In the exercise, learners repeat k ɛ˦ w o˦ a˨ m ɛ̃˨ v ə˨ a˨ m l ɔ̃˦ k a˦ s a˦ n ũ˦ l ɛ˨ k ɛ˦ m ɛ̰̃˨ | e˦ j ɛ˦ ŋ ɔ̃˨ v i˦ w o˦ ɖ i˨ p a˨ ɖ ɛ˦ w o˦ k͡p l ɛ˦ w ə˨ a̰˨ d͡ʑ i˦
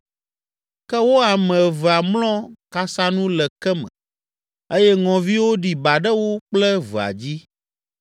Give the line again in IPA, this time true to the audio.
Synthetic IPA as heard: k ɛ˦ w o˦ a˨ m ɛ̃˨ v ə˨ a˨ m l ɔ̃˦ k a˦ s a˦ n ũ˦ l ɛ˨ k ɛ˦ m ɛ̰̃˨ | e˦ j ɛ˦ ŋ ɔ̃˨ v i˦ w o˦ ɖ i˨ b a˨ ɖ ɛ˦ w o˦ k͡p l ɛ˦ v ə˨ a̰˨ d͡ʑ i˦